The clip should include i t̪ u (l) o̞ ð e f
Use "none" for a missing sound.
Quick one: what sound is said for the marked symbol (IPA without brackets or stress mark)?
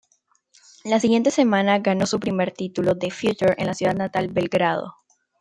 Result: l